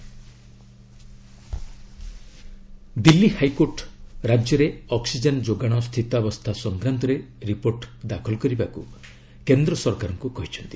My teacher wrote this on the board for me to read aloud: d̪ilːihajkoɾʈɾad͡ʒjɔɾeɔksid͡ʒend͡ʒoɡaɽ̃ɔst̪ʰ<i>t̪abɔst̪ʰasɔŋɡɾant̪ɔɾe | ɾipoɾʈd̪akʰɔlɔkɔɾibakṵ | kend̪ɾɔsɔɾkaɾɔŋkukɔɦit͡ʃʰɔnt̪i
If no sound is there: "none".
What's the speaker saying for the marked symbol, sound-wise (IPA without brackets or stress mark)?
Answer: i